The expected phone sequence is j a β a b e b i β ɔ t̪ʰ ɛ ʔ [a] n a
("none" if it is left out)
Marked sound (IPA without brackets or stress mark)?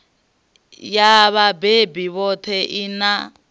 i